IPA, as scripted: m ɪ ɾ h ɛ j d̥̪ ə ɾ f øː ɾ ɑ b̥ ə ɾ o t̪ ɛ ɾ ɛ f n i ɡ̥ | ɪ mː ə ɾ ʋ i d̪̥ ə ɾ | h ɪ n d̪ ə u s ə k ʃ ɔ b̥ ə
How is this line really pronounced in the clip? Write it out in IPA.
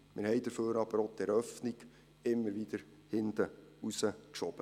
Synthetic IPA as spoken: m ɪ ɾ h ɛ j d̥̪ ə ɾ f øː ɾ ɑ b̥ ə ɾ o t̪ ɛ ɾ œ f n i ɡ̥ | ɪ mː ə ɾ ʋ i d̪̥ ə ɾ | h ɪ n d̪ ə u s ə k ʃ ɔ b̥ ə